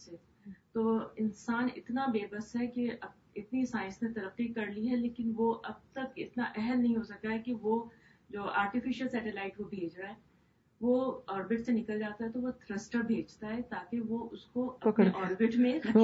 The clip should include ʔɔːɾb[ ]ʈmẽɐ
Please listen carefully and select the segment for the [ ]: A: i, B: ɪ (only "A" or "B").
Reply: B